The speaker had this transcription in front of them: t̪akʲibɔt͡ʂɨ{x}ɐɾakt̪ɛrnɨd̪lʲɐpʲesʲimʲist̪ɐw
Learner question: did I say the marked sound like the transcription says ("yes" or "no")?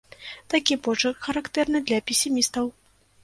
yes